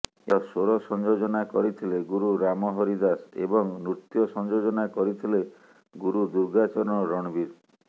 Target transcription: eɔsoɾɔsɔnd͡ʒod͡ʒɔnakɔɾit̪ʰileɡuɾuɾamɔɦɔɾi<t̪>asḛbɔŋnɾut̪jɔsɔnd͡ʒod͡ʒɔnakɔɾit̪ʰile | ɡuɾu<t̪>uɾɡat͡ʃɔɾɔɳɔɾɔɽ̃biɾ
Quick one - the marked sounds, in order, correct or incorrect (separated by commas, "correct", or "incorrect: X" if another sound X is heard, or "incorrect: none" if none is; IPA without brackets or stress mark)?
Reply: incorrect: d̪, incorrect: d̪